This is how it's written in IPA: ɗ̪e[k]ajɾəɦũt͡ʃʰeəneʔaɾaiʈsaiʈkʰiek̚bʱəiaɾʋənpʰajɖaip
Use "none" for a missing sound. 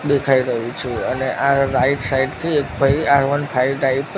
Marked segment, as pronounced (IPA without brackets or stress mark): kʰ